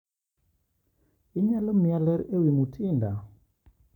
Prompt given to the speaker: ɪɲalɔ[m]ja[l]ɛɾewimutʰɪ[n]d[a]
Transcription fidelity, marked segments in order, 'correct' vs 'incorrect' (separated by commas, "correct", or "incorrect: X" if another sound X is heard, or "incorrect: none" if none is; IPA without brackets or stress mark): correct, correct, correct, correct